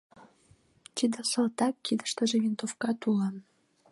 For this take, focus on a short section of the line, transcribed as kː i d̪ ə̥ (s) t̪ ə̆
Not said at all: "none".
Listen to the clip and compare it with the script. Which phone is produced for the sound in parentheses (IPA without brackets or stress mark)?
ʃ